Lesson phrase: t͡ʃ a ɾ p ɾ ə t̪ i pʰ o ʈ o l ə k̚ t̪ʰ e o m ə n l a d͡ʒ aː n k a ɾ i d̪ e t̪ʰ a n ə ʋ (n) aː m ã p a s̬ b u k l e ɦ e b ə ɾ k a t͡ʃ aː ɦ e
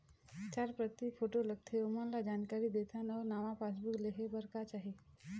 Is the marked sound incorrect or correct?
correct